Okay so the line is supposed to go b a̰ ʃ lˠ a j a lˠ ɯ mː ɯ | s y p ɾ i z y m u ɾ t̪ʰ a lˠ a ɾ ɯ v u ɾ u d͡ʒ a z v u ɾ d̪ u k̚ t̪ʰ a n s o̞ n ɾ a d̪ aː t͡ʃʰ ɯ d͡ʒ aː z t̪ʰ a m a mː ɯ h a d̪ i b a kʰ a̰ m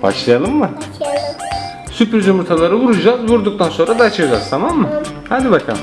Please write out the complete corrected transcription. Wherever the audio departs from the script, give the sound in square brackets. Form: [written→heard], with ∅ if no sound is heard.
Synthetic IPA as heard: b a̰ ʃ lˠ a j a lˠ ɯ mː ɯ | s y p ɾ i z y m u ɾ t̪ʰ a lˠ a ɾ ɯ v u ɾ u d͡ʒ a z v u ɾ d̪ u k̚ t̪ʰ a n s o̞ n ɾ a d̪ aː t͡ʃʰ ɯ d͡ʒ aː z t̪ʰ a m a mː ɯ h a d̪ i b a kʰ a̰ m